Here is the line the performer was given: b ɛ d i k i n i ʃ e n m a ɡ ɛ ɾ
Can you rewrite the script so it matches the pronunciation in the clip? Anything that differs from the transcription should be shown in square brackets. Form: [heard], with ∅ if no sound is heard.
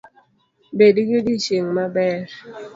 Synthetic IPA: b [e] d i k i [d] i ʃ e [ŋ] m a [b] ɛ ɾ